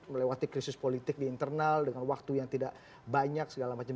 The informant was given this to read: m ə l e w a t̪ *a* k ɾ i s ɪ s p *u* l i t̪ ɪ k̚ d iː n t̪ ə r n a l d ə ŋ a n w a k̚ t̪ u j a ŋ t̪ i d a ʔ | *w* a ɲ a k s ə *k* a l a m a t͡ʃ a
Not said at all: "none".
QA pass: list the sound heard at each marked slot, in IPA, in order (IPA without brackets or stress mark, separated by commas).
i, o, b, ɡ